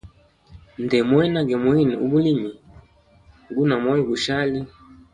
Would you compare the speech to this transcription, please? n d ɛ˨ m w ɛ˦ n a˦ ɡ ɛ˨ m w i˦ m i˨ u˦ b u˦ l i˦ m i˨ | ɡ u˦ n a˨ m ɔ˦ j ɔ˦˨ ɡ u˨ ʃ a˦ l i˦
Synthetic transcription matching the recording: n d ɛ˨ m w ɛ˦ n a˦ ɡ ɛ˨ m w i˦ n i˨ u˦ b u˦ l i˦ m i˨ | ɡ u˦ n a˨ m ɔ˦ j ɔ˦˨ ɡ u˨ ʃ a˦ l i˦